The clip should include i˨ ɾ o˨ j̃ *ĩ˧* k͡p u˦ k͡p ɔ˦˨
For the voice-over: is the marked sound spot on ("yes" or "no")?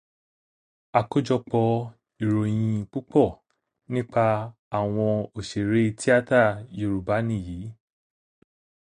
yes